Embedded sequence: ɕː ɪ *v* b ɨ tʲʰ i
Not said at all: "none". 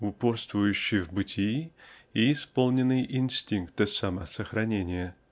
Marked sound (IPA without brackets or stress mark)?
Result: v